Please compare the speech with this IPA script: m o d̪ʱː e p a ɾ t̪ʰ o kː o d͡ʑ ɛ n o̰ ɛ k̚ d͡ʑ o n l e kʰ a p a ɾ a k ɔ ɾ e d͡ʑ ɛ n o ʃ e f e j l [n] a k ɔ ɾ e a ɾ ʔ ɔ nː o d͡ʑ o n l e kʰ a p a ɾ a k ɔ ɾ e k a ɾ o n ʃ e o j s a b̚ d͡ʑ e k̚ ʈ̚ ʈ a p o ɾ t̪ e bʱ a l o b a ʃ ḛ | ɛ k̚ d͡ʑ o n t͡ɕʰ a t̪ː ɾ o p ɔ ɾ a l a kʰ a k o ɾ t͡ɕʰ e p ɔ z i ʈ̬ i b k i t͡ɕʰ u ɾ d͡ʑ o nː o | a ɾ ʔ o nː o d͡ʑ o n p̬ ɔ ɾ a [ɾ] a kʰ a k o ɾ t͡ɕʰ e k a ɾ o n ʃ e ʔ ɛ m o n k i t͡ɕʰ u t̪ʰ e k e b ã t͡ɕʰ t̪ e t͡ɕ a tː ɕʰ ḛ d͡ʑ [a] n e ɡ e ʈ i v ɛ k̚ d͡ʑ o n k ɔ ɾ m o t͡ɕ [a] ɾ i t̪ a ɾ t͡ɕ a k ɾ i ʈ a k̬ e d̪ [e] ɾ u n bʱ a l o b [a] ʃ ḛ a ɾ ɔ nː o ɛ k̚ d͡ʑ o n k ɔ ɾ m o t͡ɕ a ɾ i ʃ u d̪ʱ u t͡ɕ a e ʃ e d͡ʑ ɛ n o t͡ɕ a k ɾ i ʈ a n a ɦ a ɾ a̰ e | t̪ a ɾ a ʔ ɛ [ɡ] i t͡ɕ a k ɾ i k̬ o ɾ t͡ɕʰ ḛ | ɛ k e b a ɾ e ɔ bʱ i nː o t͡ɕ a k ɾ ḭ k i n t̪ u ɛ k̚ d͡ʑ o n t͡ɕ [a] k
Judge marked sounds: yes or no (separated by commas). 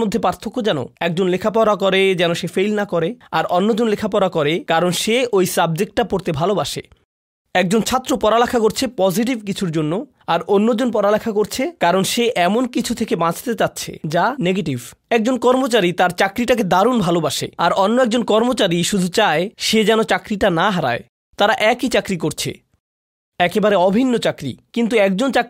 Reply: yes, no, yes, yes, no, yes, no, yes